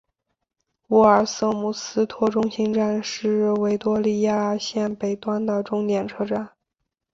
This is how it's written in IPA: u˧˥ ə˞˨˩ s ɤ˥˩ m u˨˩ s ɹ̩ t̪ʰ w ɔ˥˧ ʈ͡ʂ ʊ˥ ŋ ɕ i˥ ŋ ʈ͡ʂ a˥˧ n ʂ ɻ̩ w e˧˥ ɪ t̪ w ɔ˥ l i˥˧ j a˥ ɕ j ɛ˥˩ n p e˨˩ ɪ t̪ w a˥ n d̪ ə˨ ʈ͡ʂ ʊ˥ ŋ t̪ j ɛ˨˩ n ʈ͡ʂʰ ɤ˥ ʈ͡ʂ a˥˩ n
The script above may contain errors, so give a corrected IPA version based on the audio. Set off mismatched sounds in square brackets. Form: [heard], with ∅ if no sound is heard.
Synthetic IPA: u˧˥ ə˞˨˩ s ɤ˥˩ m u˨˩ s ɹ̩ t̪ʰ w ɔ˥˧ ʈ͡ʂ ʊ˥ ŋ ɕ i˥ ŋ ʈ͡ʂ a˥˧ n ʂ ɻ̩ w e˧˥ ɪ t̪ w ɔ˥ l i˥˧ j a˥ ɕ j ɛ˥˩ n p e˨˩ ɪ t̪ w a˥ n d̪ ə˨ ʈ͡ʂ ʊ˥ ŋ t̪ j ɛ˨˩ n ʈ͡ʂʰ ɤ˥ ʈ͡ʂ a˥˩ n